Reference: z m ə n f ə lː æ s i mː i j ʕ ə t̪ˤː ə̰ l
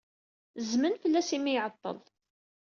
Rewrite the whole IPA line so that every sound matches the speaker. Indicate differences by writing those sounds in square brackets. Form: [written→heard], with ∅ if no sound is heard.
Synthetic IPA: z m ə n f ə lː æ s i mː i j ʕ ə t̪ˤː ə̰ l